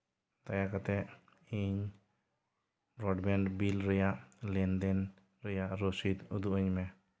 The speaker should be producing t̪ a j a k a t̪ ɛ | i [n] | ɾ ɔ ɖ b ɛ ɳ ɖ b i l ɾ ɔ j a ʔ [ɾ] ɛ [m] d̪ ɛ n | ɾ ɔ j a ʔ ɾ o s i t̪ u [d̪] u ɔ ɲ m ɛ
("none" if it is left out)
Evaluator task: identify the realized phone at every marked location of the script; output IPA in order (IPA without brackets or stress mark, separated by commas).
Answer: ɲ, l, n, d̪